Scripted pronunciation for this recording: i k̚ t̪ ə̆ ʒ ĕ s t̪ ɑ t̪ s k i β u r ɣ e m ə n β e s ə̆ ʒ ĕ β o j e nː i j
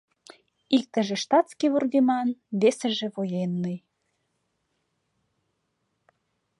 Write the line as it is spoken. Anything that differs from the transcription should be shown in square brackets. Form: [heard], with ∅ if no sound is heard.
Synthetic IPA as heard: i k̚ t̪ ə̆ ʒ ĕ [ʃ] t̪ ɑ t̪ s k i β u r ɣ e m [ɑ] n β e s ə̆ ʒ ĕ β o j e nː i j